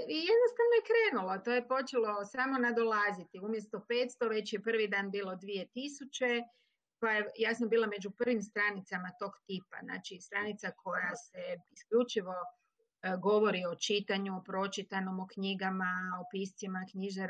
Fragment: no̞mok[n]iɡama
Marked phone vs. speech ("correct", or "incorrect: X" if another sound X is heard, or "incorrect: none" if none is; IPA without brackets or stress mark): incorrect: ɲ